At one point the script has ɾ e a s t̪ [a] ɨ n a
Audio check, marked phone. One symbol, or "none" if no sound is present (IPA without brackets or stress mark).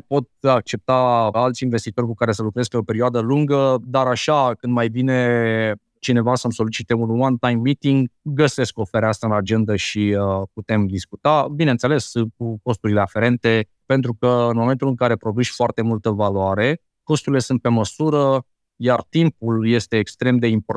a